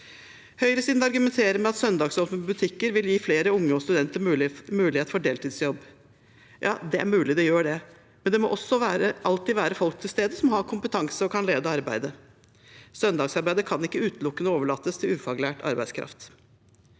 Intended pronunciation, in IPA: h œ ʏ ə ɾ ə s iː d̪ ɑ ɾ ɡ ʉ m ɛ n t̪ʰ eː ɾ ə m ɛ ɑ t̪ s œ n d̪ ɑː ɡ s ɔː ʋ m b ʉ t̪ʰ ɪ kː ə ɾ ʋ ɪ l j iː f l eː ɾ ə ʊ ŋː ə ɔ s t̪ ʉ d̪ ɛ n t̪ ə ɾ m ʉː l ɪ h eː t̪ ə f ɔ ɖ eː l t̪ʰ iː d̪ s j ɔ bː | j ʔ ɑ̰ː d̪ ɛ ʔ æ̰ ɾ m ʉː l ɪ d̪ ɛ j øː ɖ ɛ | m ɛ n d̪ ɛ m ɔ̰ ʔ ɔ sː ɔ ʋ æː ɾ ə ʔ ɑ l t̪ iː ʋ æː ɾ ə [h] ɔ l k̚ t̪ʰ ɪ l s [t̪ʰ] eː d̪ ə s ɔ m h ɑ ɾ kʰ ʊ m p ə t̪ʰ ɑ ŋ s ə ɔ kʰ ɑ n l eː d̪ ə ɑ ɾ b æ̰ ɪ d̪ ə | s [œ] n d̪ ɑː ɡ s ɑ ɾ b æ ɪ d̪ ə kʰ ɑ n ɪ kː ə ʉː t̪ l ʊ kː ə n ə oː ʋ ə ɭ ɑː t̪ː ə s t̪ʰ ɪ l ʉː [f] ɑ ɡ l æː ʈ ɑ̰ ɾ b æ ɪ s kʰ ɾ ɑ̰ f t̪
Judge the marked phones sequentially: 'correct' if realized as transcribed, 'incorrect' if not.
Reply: incorrect: f, incorrect: t̪, correct, correct

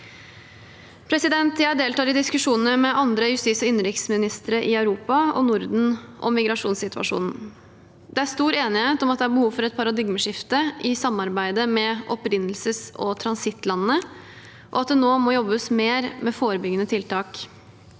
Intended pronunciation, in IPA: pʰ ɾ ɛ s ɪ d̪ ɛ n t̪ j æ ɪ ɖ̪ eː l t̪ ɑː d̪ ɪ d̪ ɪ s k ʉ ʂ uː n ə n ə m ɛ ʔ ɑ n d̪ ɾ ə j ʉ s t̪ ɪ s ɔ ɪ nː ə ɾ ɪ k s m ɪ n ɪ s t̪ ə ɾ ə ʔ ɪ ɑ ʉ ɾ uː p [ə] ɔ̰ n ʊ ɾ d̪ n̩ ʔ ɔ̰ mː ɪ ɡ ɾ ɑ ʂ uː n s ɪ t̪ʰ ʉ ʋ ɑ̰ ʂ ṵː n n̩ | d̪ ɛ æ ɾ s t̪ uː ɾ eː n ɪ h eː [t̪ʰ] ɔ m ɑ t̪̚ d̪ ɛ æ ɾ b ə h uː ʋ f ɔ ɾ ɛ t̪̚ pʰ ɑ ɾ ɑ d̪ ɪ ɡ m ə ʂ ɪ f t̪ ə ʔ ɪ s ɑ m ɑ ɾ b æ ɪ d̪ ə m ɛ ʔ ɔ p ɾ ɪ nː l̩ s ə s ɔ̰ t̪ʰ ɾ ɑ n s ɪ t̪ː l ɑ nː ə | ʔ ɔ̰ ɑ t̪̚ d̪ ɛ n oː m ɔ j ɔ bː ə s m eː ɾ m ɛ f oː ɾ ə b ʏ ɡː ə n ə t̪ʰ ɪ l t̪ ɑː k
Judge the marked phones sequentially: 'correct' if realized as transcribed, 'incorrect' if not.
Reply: incorrect: ɑ, incorrect: t̪

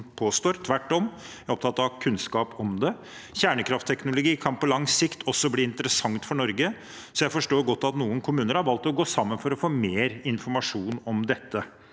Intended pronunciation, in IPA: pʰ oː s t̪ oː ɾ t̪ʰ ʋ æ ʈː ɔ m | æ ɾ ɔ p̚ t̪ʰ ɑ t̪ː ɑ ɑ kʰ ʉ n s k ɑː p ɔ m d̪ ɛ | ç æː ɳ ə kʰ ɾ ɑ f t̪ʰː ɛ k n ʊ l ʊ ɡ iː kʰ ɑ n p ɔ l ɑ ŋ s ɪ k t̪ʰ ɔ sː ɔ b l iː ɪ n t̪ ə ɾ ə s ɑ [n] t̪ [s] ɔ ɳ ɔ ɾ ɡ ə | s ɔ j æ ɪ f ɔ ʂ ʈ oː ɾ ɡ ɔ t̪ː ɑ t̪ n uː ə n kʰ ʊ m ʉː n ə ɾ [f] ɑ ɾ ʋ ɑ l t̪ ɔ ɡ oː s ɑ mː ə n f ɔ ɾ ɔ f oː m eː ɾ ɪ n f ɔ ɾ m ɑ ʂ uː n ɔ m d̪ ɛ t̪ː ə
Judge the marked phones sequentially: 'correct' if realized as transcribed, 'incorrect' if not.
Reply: incorrect: ŋ, incorrect: f, incorrect: h

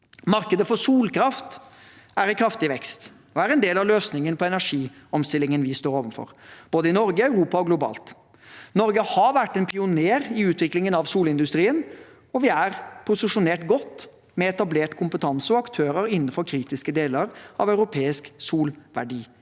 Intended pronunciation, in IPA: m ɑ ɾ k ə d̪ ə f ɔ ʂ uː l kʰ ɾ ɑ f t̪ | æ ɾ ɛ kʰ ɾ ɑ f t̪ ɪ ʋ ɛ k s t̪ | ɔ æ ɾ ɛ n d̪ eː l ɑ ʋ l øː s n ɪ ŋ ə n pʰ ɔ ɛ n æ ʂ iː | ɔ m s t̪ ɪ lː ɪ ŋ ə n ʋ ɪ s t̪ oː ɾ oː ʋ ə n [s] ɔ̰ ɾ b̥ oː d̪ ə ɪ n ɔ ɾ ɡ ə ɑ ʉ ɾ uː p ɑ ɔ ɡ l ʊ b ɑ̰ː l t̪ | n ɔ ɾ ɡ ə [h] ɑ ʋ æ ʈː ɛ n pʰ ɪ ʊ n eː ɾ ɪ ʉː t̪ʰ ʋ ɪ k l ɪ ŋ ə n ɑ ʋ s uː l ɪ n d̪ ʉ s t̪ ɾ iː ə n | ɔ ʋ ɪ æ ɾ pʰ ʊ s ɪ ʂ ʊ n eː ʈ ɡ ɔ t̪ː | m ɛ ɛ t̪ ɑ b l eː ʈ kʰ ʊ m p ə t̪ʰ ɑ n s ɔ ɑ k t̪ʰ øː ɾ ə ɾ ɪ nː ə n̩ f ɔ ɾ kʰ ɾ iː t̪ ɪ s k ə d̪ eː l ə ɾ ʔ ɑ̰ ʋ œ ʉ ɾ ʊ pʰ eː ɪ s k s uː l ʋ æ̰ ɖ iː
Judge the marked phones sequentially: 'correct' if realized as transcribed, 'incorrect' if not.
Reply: incorrect: f, correct

